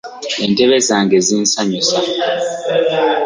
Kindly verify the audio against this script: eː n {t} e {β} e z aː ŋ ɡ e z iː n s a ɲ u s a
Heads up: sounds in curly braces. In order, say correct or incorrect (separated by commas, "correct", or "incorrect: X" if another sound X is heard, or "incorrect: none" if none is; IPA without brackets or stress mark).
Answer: correct, correct